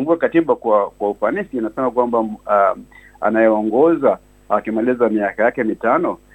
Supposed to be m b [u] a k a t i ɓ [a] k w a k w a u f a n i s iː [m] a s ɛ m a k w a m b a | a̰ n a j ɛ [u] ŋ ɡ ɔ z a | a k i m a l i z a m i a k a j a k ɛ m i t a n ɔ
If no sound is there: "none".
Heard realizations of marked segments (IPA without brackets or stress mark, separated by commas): u, a, n, ɔ